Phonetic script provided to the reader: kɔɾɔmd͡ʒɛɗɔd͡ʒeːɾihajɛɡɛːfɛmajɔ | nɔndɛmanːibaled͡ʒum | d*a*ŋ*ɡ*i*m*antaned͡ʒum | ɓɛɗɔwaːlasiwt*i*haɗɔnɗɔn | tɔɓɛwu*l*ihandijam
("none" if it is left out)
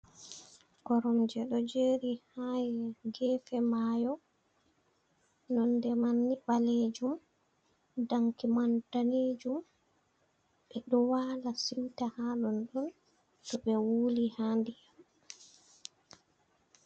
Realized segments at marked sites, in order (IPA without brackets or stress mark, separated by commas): a, k, m, a, l